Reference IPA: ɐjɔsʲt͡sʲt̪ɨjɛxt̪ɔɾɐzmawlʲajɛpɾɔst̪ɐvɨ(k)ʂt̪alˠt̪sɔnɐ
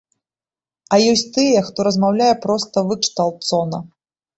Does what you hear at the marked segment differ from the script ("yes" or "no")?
no